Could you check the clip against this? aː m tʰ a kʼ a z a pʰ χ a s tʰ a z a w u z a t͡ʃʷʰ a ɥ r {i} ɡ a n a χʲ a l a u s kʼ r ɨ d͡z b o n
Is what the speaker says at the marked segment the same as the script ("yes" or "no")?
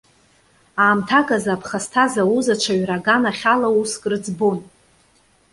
no